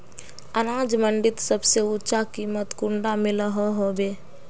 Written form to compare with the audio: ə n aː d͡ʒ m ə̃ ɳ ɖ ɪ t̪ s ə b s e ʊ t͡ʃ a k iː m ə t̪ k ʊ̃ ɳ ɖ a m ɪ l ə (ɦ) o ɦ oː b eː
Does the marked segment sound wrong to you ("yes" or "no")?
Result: no